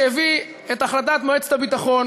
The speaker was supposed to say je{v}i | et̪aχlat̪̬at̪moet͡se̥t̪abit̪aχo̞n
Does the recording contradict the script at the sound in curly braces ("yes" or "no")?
no